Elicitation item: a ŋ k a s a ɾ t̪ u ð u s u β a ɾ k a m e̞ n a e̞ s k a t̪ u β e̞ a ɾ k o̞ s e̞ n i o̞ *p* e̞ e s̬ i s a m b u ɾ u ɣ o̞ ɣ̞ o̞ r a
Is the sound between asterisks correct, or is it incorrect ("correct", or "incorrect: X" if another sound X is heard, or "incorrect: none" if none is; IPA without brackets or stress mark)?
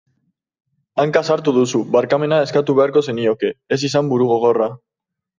incorrect: k